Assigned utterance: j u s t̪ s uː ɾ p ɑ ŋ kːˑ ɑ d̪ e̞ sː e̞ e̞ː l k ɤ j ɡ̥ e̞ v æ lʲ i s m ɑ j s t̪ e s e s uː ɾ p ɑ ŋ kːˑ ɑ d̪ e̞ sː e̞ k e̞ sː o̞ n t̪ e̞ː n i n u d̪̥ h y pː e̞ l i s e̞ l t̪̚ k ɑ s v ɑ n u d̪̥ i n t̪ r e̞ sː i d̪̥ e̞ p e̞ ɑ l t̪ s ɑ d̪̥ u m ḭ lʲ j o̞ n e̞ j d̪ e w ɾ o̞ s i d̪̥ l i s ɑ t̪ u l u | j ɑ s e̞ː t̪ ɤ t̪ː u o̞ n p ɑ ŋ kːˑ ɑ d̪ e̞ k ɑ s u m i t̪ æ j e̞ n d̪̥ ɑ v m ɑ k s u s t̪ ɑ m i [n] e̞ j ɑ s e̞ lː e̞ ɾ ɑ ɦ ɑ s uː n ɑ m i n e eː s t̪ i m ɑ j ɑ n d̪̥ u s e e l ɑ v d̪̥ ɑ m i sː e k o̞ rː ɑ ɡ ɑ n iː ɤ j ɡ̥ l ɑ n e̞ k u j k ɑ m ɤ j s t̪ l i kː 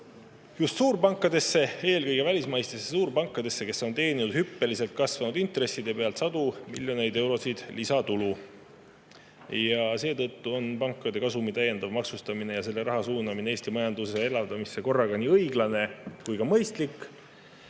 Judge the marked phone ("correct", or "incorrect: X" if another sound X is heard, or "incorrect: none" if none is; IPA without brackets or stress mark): correct